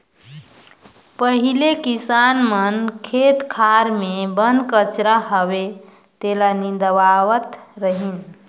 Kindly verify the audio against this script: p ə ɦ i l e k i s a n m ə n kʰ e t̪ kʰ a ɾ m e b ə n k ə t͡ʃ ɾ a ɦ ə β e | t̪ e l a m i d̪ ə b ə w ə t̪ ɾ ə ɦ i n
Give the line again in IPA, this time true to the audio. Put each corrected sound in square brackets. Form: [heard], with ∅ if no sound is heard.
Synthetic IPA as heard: p ə ɦ i l e k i s a n m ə n kʰ e t̪ kʰ a ɾ m e b ə n k ə t͡ʃ ɾ a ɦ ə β e | t̪ e l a [n] i d̪ ə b [a] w ə t̪ ɾ ə ɦ i n